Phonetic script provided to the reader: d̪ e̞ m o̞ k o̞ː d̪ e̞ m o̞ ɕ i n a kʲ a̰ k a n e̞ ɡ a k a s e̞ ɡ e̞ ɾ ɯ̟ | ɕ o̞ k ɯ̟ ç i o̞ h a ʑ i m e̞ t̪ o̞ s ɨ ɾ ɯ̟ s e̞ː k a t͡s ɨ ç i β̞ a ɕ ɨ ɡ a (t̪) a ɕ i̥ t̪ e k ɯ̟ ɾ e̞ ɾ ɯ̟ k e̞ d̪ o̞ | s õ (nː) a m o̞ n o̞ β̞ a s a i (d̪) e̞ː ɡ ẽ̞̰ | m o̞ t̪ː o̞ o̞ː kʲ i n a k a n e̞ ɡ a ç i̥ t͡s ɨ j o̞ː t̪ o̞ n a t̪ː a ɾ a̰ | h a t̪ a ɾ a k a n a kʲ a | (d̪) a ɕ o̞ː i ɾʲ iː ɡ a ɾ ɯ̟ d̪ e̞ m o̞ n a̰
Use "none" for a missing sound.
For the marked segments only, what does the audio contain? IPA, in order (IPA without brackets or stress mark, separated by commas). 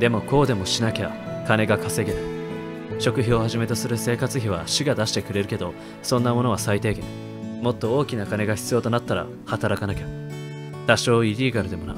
d̪, nː, t̪, t̪